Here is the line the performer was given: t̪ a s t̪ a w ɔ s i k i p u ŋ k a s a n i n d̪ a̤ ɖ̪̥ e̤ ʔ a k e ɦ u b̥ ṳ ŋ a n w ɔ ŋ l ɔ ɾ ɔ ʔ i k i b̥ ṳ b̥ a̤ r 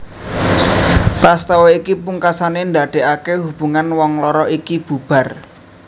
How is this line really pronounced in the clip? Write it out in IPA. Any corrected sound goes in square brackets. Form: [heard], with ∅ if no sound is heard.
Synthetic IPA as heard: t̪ a s t̪ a w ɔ [∅] i k i p u ŋ k a s a n [e] n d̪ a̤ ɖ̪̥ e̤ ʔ a k e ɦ u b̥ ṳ ŋ a n w ɔ ŋ l ɔ ɾ ɔ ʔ i k i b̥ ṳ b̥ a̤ r